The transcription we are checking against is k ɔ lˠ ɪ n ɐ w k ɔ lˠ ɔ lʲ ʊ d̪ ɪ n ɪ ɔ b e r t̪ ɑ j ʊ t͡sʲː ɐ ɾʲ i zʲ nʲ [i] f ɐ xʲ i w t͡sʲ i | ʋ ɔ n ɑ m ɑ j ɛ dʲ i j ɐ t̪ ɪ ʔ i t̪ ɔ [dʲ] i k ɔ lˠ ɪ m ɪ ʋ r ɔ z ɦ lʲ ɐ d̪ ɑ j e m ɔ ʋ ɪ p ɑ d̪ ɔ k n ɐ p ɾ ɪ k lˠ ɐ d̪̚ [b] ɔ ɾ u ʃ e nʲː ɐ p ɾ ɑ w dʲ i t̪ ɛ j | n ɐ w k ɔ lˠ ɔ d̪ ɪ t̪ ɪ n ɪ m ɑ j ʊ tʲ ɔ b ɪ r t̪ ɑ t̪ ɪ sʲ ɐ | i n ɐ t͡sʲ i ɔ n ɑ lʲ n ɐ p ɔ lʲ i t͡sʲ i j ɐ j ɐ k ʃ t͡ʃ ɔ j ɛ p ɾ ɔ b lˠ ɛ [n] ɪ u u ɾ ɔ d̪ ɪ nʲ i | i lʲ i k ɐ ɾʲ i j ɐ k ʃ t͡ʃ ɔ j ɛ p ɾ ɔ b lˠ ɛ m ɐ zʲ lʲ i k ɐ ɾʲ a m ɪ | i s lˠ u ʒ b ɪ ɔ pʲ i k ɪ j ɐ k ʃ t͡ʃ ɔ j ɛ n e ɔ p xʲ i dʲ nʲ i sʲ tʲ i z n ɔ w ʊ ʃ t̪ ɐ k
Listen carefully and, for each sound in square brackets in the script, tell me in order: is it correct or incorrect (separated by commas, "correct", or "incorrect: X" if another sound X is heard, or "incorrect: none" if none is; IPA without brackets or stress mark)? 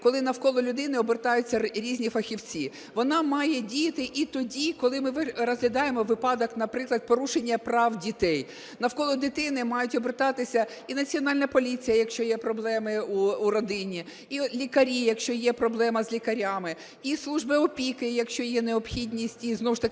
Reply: correct, correct, incorrect: p, incorrect: m